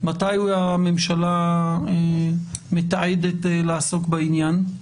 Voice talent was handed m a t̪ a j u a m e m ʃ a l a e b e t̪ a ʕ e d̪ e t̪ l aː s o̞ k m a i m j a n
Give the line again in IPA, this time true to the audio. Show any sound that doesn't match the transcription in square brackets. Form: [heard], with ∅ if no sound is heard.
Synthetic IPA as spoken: m a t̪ a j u a m e m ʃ a l a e [m] e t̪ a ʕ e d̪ e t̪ l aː s o̞ k [b] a i [n] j a n